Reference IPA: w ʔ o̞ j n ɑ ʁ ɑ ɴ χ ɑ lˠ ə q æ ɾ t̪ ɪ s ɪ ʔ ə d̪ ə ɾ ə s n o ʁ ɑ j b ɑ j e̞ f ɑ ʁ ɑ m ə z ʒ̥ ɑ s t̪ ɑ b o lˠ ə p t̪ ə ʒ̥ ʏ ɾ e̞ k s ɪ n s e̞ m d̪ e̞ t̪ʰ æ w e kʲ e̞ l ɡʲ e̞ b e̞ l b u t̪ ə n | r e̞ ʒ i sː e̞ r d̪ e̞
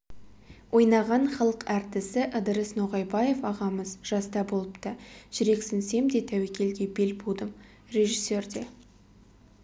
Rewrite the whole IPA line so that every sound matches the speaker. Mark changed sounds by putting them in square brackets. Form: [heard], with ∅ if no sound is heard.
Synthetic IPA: w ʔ o̞ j n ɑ ʁ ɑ ɴ χ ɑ lˠ ə q æ ɾ t̪ ɪ s ɪ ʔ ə d̪ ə ɾ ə s n o ʁ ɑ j b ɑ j e̞ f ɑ ʁ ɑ m ə z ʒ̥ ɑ s t̪ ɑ b o lˠ ə p t̪ ə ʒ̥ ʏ ɾ e̞ k s ɪ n s e̞ m d̪ e̞ t̪ʰ æ w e kʲ e̞ l ɡʲ e̞ b e̞ l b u [d̪] ə [m] | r e̞ ʒ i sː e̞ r d̪ e̞